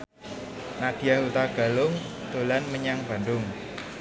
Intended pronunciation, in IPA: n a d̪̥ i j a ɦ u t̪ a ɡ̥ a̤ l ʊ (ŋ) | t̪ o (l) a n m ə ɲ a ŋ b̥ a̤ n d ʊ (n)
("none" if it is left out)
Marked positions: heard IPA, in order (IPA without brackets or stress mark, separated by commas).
ŋ, l, ŋ